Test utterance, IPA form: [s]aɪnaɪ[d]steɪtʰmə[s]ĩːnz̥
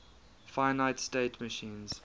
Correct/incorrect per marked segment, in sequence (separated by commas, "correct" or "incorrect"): incorrect, incorrect, incorrect